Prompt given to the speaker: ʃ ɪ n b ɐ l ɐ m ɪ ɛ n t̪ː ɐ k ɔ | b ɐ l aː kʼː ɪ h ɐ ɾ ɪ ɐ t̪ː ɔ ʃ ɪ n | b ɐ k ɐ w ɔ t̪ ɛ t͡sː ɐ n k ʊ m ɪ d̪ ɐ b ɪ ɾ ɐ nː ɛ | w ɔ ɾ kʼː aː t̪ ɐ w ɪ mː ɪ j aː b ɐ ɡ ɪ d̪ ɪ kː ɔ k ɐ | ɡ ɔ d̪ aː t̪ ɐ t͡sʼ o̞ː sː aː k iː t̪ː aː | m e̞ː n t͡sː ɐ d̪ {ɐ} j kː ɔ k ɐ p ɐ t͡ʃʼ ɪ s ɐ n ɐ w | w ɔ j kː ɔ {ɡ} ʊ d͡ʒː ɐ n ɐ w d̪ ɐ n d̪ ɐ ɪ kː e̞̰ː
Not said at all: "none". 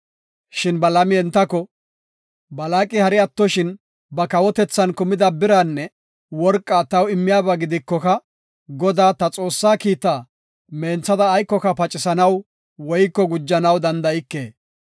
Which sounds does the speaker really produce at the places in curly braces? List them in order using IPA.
ɐː, ɡ

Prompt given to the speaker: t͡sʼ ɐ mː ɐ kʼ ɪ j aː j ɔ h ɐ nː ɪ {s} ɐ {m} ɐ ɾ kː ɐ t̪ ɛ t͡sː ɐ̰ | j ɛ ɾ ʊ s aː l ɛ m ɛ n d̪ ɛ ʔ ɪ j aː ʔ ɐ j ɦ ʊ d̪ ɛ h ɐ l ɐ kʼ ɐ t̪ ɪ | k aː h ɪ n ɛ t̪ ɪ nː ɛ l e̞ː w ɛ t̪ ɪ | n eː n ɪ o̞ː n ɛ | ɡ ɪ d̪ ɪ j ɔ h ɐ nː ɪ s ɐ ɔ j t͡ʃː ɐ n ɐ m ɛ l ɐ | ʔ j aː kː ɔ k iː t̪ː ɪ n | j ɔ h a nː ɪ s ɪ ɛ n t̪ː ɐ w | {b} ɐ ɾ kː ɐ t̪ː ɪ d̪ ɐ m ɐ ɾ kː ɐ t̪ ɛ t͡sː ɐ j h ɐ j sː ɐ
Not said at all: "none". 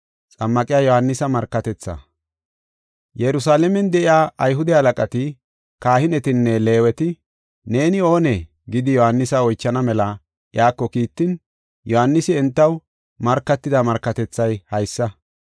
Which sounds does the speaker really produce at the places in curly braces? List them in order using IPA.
s, m, m

